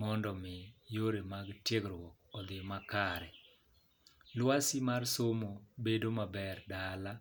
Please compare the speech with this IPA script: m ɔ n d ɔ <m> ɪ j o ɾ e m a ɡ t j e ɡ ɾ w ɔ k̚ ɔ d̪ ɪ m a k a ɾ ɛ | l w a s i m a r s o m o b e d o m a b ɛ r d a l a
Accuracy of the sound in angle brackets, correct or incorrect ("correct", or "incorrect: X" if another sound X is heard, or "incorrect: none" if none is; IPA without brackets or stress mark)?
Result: correct